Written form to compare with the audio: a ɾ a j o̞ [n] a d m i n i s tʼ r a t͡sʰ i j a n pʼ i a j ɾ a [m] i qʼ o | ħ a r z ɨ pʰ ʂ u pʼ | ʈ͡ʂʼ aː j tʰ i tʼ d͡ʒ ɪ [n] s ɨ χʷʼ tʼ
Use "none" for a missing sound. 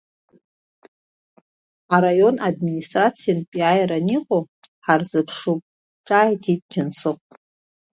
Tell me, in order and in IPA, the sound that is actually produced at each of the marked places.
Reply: n, n, n

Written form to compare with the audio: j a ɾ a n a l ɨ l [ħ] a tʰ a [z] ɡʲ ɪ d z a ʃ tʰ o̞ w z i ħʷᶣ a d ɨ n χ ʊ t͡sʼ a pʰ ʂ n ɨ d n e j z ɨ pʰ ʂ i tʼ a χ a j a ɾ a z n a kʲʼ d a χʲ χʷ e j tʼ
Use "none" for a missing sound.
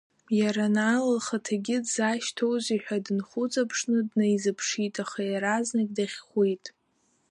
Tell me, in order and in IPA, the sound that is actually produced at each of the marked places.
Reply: χ, none

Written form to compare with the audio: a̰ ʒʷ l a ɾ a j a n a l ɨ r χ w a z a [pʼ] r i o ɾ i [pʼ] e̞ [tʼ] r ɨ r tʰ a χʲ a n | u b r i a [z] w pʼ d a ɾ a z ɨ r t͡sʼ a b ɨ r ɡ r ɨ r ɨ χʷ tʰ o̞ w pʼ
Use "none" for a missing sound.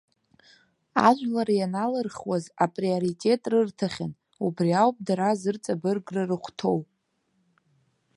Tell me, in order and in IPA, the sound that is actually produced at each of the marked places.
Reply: pʼ, tʼ, tʼ, none

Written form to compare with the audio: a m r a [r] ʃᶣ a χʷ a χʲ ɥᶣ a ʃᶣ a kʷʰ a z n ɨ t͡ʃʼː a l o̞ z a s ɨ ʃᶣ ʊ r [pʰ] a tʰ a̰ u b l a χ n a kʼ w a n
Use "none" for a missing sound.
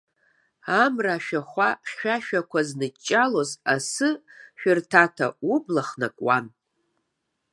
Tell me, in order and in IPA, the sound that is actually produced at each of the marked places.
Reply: none, tʰ

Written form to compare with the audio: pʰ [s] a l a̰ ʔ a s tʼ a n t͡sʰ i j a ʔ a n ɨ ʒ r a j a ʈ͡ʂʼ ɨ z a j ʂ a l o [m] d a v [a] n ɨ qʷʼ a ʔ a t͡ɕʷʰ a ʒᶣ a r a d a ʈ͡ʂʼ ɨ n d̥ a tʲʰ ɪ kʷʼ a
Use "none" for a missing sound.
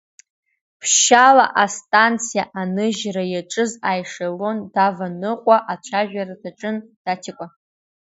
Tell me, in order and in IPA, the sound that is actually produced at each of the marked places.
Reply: ʃ, n, a

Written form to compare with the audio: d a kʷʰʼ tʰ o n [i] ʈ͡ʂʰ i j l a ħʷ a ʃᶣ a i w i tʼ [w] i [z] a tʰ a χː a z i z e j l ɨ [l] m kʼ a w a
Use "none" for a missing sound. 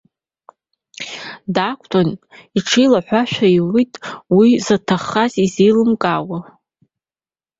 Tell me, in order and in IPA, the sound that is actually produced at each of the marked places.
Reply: i, w, z, none

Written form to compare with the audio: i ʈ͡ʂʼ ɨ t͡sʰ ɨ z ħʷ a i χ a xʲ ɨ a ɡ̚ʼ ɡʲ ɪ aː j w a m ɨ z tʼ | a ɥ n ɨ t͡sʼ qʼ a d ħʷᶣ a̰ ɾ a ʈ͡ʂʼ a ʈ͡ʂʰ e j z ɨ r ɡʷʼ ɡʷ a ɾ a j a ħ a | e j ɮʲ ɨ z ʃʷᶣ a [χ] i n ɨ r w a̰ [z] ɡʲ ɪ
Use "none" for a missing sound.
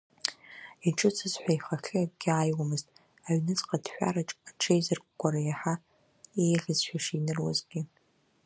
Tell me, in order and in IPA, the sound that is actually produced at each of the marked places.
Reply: ʂ, z

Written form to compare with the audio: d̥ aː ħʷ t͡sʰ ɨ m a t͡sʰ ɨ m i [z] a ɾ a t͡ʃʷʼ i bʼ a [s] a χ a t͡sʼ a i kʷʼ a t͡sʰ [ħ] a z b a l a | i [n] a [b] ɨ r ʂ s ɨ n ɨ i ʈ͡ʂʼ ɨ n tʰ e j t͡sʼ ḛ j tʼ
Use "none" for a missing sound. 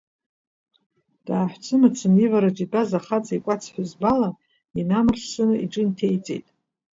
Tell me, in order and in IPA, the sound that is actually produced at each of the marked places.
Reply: v, z, ħ, n, m

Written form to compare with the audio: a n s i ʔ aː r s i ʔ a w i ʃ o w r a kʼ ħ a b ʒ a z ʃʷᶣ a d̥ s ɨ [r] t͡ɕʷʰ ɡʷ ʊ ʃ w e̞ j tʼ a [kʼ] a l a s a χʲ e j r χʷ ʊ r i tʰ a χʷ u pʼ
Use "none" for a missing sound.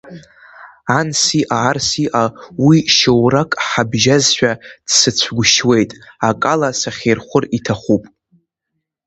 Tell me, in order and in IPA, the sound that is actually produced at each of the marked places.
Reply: none, kʼ

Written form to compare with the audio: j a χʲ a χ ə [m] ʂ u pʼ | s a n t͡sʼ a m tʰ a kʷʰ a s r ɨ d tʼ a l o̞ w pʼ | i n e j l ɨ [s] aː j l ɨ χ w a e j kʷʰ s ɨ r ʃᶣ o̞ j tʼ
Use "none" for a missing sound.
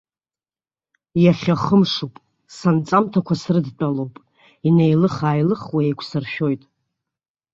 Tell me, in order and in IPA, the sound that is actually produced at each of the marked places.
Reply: m, χ

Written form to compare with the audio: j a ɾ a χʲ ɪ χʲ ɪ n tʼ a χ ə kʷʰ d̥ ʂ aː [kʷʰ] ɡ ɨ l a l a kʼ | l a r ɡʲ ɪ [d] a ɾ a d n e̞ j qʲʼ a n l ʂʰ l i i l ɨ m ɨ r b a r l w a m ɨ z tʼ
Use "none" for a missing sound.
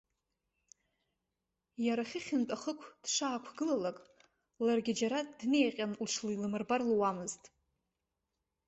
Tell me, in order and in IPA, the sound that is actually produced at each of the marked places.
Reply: kʷʰ, d͡ʒ

